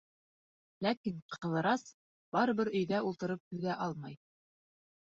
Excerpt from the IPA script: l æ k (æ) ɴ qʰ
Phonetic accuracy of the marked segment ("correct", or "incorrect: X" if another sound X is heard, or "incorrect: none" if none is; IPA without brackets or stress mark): incorrect: i